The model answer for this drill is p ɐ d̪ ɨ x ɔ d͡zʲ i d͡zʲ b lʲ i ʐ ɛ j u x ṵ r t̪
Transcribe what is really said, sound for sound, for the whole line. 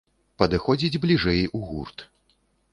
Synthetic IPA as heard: p ɐ d̪ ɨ x ɔ d͡zʲ i d͡zʲ b lʲ i ʐ ɛ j u ɣ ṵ r t̪